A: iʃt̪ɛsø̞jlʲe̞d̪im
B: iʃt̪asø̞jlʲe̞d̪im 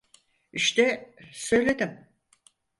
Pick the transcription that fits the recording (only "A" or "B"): A